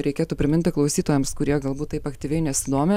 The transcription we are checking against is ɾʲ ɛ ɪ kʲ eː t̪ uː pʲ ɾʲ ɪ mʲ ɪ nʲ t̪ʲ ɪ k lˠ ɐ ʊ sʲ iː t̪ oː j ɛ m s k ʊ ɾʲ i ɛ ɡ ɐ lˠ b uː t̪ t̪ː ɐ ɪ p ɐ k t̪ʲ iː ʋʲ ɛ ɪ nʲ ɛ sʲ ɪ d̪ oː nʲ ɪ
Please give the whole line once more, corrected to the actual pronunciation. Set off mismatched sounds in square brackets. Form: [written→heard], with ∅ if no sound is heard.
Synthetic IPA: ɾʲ ɛ ɪ kʲ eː t̪ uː pʲ ɾʲ ɪ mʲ ɪ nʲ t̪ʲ ɪ k lˠ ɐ ʊ sʲ iː t̪ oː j ɛ m s k ʊ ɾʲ i ɛ ɡ ɐ lˠ b uː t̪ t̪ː ɐ ɪ p ɐ k t̪ʲ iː ʋʲ ɛ ɪ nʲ ɛ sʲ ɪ d̪ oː [nʲ→mʲ] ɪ